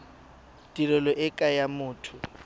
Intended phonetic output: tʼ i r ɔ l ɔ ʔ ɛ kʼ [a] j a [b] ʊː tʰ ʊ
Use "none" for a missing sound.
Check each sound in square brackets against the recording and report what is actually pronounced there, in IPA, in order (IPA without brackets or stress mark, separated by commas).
a, m